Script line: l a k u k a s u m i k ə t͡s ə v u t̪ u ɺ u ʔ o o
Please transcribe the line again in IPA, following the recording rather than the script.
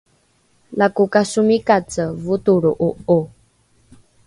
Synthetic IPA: l a k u k a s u m i k a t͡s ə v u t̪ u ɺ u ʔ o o